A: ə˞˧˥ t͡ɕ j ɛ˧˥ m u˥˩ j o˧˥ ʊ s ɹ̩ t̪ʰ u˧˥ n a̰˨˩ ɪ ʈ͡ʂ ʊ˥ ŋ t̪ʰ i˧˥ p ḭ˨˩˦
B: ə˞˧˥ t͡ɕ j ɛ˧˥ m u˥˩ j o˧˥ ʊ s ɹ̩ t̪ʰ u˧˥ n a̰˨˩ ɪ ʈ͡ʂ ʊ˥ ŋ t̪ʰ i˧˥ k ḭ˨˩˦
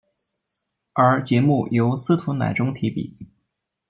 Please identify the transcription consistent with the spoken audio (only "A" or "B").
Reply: A